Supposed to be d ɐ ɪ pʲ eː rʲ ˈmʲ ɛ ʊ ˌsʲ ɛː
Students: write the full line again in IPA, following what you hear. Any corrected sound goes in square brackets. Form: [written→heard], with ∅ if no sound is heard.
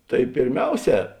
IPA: [d→t] ɐ ɪ pʲ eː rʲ ˈmʲ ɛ ʊ ˌsʲ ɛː